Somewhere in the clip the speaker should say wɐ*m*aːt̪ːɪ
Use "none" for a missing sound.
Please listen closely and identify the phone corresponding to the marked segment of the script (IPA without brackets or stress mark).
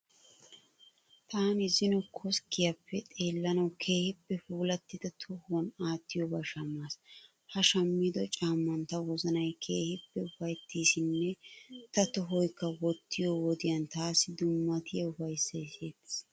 n